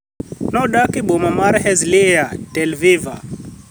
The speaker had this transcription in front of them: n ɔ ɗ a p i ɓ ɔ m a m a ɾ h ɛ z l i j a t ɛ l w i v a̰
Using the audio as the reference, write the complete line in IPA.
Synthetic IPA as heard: n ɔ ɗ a k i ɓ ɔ m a m a ɾ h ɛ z l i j a t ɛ l v i v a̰